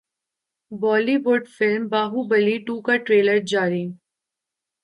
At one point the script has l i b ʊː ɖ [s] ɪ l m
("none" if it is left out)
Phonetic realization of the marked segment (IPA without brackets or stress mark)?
f